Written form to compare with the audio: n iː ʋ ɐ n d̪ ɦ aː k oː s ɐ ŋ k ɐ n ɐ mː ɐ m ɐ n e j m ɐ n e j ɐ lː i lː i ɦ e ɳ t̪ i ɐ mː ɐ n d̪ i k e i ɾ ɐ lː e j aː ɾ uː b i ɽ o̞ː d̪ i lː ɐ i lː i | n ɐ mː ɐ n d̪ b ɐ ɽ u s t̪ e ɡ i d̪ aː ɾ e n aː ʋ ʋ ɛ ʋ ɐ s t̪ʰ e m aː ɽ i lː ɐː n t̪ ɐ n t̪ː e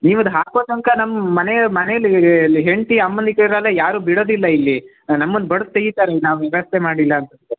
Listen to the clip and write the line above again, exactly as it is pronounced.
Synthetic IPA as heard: n iː ʋ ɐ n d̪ ɦ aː k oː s ɐ ŋ k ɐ n ɐ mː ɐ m ɐ n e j m ɐ n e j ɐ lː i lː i ɦ e ɳ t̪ i ɐ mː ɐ n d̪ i k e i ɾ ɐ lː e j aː ɾ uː b i ɽ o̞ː d̪ i lː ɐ i lː i | n ɐ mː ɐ n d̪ b ɐ ɽ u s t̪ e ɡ i t̪ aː ɾ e n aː ʋ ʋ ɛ ʋ ɐ s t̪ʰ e m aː ɽ i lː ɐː n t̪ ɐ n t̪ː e